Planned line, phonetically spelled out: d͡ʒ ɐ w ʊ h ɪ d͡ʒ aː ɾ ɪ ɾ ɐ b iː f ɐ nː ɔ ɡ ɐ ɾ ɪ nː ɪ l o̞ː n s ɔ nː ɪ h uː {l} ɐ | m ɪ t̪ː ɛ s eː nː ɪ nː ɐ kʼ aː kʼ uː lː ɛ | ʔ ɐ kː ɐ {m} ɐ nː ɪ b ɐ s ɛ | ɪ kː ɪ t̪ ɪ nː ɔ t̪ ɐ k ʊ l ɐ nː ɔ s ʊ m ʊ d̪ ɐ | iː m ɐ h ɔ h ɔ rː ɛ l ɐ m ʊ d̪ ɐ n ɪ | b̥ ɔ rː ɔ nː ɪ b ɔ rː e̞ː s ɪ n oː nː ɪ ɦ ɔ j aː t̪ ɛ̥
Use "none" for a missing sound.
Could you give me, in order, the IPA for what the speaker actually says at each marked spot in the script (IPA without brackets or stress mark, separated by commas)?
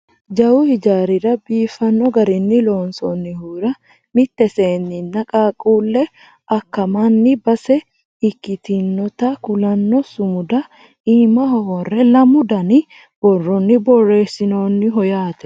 ɾ, m